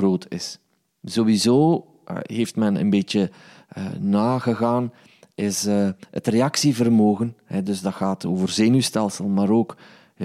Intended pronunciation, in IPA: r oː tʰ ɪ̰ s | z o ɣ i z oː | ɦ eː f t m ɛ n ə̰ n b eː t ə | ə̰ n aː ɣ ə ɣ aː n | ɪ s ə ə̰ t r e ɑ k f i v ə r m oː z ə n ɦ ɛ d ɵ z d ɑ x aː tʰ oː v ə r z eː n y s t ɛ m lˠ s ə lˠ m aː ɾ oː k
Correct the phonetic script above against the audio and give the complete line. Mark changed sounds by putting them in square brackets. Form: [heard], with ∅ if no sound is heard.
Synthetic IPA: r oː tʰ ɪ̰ s | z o [w] i z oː | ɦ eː f t m ɛ n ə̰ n b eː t ə | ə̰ n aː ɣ ə ɣ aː n | ɪ s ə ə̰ t r e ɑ k [s] i v ə r m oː [ɣ] ə n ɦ ɛ d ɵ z d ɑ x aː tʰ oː v ə r z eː n y s t ɛ [∅] lˠ s ə lˠ m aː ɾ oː k